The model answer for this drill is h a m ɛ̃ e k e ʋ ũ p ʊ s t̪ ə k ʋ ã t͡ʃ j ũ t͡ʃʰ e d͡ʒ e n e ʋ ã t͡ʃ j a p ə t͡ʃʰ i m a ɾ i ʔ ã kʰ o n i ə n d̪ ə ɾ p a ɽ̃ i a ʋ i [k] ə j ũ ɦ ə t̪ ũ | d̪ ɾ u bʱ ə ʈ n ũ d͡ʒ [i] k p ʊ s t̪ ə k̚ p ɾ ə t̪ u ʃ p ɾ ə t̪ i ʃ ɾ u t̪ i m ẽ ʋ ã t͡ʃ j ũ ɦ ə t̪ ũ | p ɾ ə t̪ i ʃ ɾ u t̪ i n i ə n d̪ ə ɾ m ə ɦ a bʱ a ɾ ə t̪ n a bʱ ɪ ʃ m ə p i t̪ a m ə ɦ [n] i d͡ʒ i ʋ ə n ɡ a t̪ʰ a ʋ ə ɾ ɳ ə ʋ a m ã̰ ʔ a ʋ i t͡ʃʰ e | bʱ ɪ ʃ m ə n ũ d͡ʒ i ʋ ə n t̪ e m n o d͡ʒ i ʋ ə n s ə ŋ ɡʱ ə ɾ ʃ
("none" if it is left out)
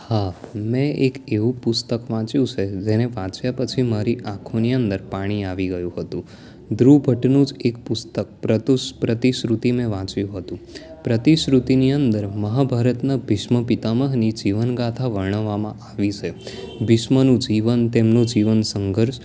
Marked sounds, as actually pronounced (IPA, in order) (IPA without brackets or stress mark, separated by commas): ɡ, e, n